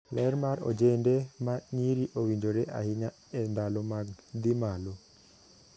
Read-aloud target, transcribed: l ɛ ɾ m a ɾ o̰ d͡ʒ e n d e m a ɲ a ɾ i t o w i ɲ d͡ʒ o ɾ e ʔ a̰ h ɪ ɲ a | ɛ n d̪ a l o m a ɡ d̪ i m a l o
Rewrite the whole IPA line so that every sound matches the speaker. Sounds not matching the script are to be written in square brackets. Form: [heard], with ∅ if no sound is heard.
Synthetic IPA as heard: l ɛ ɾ m a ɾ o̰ d͡ʒ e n d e m a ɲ [i] ɾ i [ʔ] o w i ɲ d͡ʒ o ɾ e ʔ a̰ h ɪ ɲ a | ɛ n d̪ a l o m a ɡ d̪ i m a l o